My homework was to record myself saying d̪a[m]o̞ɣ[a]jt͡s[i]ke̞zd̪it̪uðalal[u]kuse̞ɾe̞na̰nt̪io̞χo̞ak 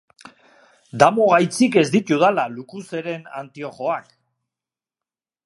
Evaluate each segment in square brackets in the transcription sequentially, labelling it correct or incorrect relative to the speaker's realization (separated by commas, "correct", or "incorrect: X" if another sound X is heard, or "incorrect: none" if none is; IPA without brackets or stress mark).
correct, correct, correct, correct